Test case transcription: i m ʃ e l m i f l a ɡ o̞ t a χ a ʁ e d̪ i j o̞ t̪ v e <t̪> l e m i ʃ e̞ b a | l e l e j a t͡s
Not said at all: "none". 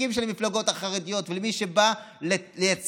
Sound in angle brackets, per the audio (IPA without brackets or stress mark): none